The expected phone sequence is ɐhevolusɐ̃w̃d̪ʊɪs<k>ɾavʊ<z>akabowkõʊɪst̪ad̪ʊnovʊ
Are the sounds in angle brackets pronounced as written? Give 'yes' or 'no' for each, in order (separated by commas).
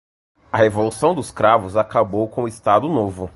yes, yes